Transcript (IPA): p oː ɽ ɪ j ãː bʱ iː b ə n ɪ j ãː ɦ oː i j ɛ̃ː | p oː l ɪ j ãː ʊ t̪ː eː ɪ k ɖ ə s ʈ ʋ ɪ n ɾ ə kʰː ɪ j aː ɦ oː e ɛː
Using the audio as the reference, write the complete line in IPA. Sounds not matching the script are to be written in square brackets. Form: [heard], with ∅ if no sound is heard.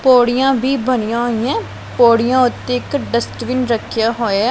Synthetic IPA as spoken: p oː ɽ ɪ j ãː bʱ iː b ə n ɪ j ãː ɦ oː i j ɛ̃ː | p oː [ɽ] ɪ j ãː ʊ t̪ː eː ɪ k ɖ ə s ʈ ʋ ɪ n ɾ ə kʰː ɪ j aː ɦ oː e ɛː

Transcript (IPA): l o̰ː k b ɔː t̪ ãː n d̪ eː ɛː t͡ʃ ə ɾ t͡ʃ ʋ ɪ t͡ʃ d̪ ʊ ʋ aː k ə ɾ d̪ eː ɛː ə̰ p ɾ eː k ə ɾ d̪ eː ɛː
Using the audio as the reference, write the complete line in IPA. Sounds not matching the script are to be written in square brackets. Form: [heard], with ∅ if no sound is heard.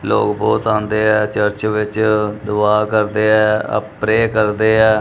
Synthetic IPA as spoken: l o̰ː k b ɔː t̪ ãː n d̪ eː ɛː t͡ʃ ə ɾ t͡ʃ ʋ ɪ t͡ʃ d̪ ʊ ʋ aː k ə ɾ d̪ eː ɛː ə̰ p ɾ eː k ə ɾ d̪ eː ɛː

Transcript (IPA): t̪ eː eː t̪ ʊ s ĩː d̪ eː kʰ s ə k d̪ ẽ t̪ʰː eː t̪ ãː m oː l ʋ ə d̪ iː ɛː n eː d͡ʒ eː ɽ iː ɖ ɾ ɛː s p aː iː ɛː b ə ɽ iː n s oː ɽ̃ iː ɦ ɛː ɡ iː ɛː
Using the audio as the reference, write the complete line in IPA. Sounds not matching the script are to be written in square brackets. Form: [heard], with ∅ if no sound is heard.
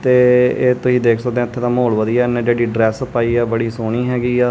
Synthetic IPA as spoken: t̪ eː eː t̪ ʊ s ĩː d̪ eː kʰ s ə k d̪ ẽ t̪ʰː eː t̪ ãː m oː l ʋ ə d̪ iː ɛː n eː d͡ʒ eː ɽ iː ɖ ɾ ɛː s p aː iː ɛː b ə ɽ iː [∅] s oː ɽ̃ iː ɦ ɛː ɡ iː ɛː

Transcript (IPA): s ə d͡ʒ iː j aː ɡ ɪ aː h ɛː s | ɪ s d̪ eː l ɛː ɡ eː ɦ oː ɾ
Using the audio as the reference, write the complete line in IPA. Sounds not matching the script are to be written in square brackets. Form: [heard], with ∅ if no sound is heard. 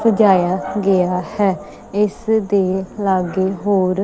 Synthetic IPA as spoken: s ə d͡ʒ [aː] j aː ɡ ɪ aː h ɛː [∅] | ɪ s d̪ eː l [aː] ɡ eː ɦ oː ɾ

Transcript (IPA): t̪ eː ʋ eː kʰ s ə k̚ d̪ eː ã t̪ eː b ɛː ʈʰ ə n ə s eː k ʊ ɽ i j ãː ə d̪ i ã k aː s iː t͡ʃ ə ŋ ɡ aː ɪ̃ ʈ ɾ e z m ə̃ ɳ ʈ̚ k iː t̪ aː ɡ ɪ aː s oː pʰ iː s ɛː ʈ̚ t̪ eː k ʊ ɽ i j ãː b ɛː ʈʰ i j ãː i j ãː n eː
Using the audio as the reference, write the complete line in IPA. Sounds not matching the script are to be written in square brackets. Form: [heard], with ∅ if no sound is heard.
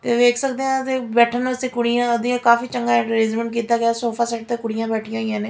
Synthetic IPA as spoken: t̪ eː ʋ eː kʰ s ə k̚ d̪ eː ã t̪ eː b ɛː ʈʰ ə n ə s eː k ʊ ɽ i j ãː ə d̪ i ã k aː [f] iː t͡ʃ ə ŋ ɡ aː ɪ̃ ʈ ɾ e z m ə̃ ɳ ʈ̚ k iː t̪ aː ɡ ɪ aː s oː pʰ [aː] s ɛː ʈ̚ t̪ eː k ʊ ɽ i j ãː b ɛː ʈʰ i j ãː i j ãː n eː

